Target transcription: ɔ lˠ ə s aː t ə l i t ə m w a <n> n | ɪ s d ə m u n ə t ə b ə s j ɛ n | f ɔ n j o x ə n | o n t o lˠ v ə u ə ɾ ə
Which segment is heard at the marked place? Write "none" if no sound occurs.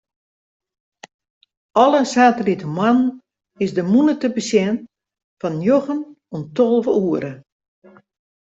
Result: n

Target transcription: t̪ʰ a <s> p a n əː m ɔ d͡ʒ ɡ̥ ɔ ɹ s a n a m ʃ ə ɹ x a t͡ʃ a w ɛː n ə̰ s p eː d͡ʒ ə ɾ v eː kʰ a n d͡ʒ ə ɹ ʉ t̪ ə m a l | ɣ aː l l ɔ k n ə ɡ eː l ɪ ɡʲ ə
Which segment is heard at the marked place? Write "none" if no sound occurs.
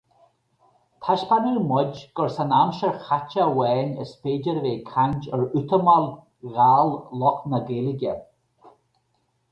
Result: ʃ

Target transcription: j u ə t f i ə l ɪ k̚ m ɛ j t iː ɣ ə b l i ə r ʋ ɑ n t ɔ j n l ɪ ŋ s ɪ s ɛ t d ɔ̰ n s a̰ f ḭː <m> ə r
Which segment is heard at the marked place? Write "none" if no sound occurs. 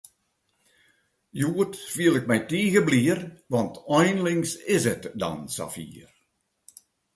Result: none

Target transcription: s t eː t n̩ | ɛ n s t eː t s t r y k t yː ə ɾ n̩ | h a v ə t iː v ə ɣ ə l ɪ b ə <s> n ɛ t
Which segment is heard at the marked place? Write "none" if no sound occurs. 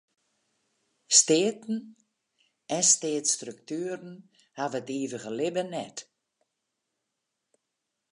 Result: none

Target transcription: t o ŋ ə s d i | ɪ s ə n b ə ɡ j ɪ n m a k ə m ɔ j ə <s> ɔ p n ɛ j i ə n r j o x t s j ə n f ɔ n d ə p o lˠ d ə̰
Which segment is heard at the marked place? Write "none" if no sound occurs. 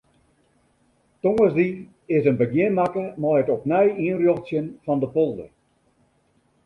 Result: t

